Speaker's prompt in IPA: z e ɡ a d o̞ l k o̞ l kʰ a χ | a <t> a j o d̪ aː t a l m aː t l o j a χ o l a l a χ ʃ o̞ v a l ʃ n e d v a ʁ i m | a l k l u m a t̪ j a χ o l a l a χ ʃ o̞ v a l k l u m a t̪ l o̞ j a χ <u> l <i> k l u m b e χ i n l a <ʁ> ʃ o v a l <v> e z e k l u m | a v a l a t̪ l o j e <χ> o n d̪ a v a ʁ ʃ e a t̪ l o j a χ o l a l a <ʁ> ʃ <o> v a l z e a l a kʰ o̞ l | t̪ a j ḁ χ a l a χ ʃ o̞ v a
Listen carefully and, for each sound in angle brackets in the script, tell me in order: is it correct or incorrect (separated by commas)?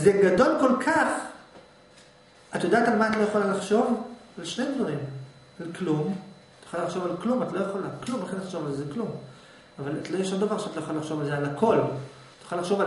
correct, incorrect, incorrect, incorrect, incorrect, incorrect, incorrect, correct